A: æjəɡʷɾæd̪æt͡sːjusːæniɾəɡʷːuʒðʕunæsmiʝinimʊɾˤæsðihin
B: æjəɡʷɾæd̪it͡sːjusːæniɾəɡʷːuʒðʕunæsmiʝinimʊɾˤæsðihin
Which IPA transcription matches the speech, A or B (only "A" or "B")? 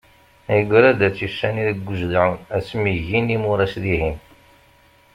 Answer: A